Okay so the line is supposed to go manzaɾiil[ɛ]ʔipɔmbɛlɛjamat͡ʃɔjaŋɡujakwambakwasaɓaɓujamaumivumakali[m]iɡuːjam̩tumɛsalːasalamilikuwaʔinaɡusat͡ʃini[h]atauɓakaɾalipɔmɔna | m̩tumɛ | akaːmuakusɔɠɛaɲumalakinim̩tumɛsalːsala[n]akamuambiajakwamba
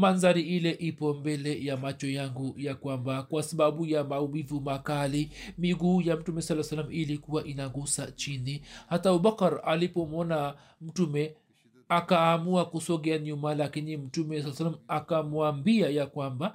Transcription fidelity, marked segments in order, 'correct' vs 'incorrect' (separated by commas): correct, correct, correct, incorrect